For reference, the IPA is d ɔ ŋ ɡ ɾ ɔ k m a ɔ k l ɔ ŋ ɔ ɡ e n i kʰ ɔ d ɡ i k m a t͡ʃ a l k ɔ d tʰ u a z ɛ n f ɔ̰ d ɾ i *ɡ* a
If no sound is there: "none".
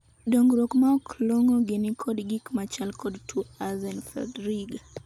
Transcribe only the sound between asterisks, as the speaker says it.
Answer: ɡ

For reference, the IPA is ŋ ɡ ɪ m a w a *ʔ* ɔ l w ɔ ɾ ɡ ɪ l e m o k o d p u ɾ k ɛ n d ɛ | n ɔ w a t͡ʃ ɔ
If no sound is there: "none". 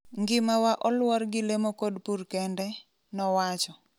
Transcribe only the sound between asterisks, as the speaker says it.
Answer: ʔ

